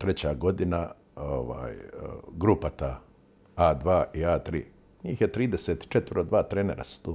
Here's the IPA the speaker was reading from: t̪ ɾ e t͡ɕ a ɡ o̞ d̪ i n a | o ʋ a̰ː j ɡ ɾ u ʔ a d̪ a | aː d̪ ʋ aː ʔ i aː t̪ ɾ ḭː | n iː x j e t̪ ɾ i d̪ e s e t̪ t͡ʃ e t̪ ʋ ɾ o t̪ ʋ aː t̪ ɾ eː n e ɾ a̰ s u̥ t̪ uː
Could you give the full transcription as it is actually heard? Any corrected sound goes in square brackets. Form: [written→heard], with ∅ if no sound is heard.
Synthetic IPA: t̪ ɾ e t͡ɕ a ɡ o̞ d̪ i n a | o ʋ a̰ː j ɡ ɾ u [ʔ→p] a [d̪→t̪] a | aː d̪ ʋ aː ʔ i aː t̪ ɾ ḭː | [n→ɲ] iː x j e t̪ ɾ [i→iː] d̪ e s e t̪ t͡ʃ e t̪ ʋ ɾ o [t̪→d̪] ʋ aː t̪ ɾ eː n e ɾ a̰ s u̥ t̪ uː